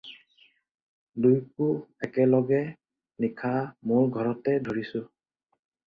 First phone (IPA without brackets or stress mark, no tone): d